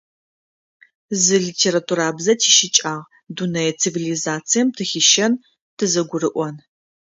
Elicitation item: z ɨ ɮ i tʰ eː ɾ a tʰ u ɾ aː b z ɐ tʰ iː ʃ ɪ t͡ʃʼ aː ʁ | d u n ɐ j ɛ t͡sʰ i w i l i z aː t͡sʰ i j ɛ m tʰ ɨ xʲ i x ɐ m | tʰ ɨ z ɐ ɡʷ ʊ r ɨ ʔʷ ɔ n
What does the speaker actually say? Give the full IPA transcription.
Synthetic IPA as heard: z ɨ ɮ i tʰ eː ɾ a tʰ u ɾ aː b z ɐ tʰ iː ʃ ɪ t͡ʃʼ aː ʁ | d u n ɐ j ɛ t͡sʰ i v i l i z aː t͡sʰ i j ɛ m tʰ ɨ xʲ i ʃ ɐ n | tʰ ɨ z ɐ ɡʷ ʊ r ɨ ʔʷ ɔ n